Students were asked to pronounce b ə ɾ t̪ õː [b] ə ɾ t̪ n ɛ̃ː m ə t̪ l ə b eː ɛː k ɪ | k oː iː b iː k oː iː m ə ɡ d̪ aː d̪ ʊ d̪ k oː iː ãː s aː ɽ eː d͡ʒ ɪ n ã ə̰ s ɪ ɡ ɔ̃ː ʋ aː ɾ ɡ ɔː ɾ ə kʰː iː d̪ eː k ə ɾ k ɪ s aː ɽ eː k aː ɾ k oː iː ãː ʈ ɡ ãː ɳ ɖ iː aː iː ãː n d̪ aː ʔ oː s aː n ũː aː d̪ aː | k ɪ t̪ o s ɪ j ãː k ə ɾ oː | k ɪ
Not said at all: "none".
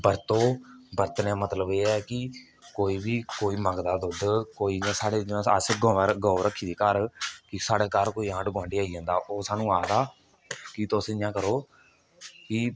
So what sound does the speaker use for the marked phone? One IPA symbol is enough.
b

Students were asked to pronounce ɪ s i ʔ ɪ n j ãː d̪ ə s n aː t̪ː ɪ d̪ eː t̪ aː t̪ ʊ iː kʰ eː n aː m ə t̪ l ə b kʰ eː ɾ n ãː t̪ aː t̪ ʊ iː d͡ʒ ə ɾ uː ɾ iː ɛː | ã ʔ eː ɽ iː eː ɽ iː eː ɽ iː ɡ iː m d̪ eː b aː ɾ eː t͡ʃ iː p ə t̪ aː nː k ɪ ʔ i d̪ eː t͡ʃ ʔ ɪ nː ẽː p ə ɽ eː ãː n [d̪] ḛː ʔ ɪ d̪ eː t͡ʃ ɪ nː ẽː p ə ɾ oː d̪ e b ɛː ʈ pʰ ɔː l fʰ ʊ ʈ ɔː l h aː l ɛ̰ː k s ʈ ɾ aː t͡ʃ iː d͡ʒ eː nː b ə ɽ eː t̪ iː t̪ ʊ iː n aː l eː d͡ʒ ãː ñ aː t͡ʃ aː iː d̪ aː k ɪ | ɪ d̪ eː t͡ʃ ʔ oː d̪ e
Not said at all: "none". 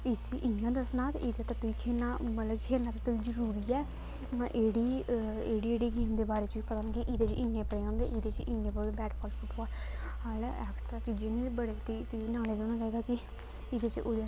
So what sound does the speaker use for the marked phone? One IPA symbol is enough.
d̪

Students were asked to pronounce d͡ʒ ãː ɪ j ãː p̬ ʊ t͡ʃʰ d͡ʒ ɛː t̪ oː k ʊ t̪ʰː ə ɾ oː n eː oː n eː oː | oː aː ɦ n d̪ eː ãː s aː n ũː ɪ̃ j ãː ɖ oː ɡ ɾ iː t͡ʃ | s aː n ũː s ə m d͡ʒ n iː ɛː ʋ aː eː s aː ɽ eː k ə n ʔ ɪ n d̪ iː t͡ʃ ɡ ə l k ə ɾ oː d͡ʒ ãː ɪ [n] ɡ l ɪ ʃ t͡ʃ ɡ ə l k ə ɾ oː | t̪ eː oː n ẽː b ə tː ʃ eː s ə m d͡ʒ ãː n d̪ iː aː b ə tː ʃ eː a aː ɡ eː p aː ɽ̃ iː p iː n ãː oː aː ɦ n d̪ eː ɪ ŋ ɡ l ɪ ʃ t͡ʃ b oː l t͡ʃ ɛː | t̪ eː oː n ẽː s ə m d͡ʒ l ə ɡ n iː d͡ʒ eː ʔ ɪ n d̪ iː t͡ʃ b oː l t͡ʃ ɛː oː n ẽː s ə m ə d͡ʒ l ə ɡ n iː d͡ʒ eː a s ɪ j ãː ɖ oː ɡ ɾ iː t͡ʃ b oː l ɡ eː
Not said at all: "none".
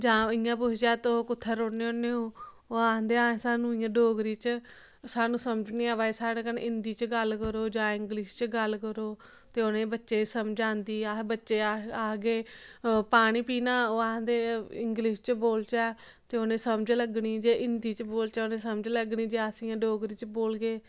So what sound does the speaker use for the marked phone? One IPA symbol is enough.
ŋ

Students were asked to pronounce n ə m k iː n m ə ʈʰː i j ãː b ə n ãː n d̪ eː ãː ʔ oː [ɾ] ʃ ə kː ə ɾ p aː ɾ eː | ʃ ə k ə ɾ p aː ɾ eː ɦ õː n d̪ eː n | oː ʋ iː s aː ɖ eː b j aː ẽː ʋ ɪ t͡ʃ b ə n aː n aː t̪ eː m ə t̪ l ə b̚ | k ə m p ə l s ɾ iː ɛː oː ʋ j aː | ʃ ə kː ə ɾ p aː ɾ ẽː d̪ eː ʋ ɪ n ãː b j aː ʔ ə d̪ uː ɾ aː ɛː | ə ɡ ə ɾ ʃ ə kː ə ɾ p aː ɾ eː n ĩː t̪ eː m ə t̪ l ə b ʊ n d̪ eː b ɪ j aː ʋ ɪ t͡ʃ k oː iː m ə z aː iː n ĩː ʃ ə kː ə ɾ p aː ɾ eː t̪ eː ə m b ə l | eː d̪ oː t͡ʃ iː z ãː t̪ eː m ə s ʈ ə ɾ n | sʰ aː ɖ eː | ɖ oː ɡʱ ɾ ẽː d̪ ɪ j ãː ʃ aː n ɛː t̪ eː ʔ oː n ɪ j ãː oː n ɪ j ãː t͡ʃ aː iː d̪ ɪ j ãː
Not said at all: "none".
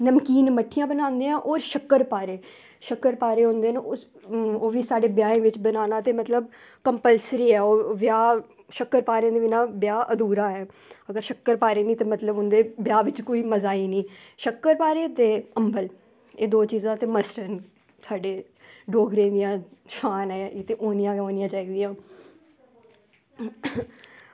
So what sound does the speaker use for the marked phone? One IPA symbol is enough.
ɾ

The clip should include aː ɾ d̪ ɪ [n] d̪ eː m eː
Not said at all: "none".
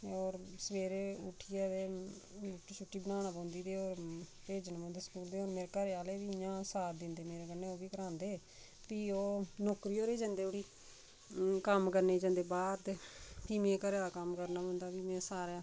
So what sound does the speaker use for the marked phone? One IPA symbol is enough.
n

